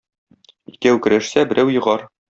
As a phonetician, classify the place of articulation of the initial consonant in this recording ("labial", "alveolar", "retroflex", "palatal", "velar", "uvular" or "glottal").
velar